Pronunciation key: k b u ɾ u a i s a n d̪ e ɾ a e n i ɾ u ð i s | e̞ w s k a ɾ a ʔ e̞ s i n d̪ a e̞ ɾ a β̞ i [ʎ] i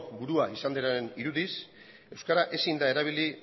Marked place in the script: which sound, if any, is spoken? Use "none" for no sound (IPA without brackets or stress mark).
l